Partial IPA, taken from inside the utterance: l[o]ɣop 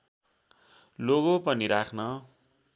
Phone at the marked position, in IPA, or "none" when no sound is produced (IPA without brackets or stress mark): o